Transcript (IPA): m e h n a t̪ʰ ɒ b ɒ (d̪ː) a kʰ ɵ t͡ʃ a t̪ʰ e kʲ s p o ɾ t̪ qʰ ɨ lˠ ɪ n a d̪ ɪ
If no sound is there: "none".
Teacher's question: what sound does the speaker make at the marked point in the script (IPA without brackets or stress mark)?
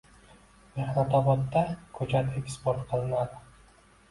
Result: t̪ː